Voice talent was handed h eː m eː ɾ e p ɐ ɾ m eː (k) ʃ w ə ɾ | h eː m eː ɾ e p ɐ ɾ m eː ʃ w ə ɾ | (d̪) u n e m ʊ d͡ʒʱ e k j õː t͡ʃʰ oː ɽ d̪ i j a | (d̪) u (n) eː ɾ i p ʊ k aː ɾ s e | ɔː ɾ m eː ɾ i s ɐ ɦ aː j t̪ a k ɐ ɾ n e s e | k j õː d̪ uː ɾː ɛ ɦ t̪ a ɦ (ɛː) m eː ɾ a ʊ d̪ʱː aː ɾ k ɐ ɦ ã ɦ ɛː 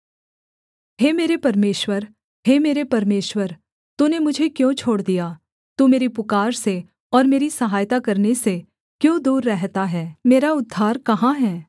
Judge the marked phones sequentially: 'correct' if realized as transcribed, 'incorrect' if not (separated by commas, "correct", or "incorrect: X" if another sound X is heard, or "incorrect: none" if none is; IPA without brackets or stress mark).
incorrect: none, incorrect: t̪, incorrect: t̪, incorrect: m, correct